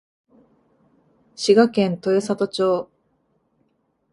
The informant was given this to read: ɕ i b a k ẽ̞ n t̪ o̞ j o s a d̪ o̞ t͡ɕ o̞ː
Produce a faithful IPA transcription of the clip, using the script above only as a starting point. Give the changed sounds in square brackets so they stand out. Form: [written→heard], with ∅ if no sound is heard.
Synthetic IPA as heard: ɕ i [b→ɡ] a k ẽ̞ n t̪ o̞ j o s a [d̪→t̪] o̞ t͡ɕ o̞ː